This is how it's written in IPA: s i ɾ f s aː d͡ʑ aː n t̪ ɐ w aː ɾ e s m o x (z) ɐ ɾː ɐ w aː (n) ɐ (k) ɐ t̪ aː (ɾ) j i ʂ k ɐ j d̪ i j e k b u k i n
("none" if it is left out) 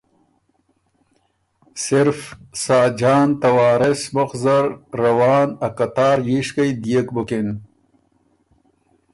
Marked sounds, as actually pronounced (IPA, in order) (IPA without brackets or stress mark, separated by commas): z, n, k, ɾ